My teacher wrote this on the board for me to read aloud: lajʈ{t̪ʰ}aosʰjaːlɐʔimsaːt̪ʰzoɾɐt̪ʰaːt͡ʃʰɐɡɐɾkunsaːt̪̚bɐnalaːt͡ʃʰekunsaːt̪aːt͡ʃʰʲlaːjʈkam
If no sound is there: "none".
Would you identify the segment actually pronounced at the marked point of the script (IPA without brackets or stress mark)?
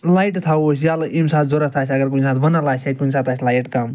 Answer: t̪ʰ